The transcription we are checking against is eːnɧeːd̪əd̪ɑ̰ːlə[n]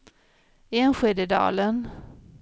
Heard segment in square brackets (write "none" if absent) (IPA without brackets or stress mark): n